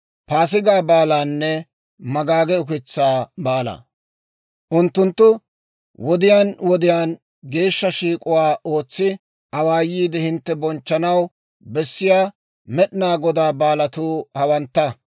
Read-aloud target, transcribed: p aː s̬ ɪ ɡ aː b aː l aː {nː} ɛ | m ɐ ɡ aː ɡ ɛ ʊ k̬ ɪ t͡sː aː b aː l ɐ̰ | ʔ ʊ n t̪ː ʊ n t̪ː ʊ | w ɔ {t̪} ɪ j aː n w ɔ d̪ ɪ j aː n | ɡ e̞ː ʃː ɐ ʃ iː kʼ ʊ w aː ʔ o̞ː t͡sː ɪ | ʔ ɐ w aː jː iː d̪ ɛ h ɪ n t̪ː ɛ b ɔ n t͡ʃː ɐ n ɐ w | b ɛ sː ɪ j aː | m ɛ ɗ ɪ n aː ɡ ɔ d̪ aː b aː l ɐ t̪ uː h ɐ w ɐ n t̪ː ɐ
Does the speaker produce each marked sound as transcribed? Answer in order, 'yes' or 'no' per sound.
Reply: yes, no

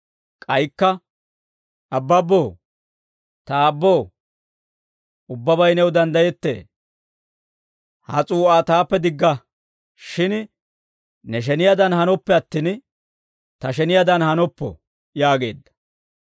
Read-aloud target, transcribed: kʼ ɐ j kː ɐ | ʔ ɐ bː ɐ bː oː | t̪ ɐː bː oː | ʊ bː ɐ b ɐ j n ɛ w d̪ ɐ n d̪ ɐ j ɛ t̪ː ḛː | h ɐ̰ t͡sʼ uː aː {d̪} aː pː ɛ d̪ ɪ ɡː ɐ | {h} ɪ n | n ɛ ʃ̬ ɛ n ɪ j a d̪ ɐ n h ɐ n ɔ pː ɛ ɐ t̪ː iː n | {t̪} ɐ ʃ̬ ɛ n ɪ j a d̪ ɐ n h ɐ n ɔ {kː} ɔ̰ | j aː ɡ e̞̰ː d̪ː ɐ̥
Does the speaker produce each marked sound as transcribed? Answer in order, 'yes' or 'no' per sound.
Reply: no, no, yes, no

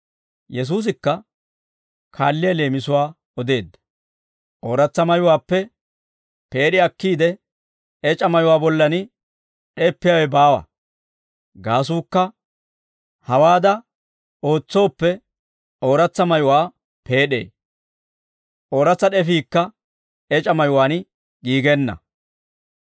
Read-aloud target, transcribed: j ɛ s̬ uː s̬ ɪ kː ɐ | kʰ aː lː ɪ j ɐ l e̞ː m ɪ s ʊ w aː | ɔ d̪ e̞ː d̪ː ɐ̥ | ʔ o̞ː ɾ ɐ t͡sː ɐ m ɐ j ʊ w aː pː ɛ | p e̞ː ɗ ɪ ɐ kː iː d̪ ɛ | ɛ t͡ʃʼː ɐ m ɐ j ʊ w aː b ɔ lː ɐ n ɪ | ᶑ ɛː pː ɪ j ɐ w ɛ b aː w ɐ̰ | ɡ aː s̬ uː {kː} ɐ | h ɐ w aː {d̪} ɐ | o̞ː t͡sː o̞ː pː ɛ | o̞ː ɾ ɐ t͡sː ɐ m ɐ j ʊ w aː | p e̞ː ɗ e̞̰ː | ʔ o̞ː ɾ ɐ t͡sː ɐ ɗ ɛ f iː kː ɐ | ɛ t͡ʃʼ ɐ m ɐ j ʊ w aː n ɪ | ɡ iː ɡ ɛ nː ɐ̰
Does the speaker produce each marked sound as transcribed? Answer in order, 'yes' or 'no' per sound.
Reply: yes, yes

